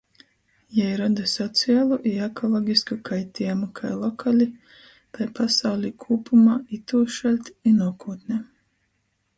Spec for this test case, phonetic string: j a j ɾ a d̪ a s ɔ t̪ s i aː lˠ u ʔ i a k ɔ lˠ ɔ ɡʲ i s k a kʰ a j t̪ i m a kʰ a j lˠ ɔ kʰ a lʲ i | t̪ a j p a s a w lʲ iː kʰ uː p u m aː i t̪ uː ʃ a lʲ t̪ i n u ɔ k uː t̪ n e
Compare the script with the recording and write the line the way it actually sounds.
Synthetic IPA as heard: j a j ɾ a d̪ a s ɔ t̪ s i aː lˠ u ʔ i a k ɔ lˠ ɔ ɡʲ i s k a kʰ a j t̪ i m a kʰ a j lˠ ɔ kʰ a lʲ i | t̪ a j p a s a w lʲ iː kʰ uː p u m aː i t̪ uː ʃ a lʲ t̪ i n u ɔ k uː t̪ n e